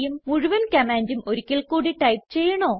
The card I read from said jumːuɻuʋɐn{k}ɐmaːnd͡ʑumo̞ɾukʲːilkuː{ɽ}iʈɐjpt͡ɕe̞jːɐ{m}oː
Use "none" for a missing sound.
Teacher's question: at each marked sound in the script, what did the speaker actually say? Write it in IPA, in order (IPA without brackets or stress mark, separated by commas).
k, ɽ, ɳ